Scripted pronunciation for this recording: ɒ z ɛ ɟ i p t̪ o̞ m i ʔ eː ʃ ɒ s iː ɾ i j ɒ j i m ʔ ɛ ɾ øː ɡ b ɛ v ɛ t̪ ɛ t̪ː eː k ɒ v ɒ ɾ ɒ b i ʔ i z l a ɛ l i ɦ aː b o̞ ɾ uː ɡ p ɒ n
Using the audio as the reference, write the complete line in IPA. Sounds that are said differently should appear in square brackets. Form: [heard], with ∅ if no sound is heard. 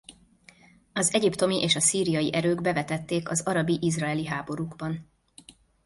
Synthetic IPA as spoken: ɒ z ɛ ɟ i p t̪ o̞ m i ʔ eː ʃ ɒ s iː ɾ i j ɒ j i [∅] ʔ ɛ ɾ øː ɡ b ɛ v ɛ t̪ ɛ t̪ː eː k ɒ [z] ɒ ɾ ɒ b i ʔ i z [r] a ɛ l i ɦ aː b o̞ ɾ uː ɡ [b] ɒ n